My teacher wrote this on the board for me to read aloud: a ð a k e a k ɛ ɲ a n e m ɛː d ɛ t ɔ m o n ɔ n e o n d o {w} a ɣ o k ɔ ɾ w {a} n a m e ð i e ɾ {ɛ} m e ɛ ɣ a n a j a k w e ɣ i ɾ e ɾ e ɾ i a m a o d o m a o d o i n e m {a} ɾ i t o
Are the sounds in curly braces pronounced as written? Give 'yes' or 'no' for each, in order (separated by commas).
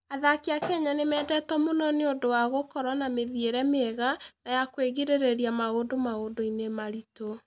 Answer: yes, yes, yes, yes